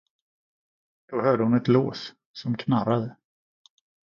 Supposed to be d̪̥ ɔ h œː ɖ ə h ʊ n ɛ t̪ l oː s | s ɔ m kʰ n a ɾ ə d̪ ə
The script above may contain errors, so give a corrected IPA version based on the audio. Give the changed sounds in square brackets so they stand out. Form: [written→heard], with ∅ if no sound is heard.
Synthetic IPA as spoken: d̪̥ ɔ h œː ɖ ə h ʊ n ɛ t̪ l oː s | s ɔ m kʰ n a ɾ [ə→a] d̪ ə